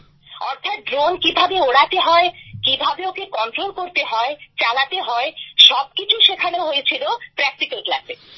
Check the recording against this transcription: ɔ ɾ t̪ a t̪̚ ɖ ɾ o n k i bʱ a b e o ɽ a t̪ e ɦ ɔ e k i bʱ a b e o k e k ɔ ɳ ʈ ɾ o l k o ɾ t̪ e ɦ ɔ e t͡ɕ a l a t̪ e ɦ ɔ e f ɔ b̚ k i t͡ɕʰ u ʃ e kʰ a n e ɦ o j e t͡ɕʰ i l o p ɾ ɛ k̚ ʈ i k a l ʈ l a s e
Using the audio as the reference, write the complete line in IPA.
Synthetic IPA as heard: ɔ ɾ t̪ʰ a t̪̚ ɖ ɾ o n k i bʱ a b e o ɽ a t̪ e ɦ ɔ e k i bʱ a b e o k e k ɔ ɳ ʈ ɾ o l k o ɾ t̪ e ɦ ɔ e t͡ɕ a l a t̪ e ɦ ɔ e ʃ ɔ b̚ k i t͡ɕʰ u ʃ e kʰ a n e ɦ o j e t͡ɕʰ i l o p ɾ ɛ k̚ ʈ i k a l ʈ l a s e